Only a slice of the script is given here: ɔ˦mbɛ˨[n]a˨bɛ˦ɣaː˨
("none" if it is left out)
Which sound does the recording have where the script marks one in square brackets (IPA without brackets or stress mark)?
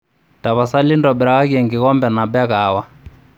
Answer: n